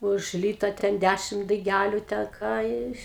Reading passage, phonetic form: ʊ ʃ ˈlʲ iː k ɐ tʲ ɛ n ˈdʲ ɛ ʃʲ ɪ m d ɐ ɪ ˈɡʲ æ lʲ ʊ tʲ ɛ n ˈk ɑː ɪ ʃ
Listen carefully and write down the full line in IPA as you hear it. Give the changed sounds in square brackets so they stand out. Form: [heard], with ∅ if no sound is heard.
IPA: ʊ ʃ ˈlʲ iː [t] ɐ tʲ ɛ n ˈdʲ [æ] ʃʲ ɪ m d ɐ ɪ ˈɡʲ æ lʲ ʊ tʲ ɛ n ˈk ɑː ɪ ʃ